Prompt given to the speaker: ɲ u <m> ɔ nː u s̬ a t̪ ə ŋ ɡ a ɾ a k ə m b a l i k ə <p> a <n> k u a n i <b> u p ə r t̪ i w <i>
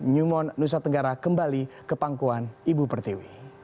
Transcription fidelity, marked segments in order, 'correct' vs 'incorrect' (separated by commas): correct, correct, incorrect, correct, correct